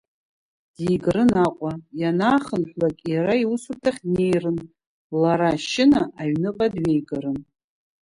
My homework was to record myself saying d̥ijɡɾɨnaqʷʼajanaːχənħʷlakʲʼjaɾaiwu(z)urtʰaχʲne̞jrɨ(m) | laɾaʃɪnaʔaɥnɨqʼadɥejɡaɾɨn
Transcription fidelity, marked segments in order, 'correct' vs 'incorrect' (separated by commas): incorrect, incorrect